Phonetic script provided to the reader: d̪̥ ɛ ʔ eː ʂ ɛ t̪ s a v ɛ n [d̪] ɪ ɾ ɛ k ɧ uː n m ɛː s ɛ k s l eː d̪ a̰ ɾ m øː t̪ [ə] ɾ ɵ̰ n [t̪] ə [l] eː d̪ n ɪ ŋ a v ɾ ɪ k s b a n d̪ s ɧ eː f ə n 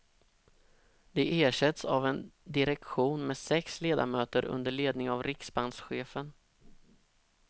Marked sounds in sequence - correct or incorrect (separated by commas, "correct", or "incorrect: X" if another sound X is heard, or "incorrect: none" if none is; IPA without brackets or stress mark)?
correct, correct, incorrect: d̪, incorrect: ɭ